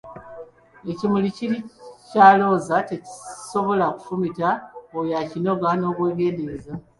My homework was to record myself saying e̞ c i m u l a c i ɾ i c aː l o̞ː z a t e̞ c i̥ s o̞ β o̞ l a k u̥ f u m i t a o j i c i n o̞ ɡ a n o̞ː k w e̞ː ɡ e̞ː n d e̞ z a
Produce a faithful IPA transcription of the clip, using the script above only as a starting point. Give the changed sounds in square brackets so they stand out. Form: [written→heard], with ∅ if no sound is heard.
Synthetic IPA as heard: e̞ c i m u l [a→i] c i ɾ i c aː l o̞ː z a t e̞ c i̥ s o̞ β o̞ l a k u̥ f u m i t a o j [i→a] c i n o̞ ɡ a n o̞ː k w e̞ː ɡ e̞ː n d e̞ z a